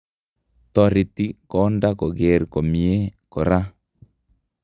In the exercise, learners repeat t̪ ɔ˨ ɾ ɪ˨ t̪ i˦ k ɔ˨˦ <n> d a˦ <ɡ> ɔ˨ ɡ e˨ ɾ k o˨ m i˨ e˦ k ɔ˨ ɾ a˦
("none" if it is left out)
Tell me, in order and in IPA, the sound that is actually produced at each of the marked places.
n, k

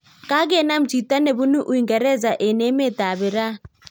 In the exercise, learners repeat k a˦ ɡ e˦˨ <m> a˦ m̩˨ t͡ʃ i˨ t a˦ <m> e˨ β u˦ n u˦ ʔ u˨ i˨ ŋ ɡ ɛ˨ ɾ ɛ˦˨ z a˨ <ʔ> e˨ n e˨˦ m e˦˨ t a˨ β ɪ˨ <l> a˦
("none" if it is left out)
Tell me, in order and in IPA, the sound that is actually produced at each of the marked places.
n, n, ʔ, ɾ

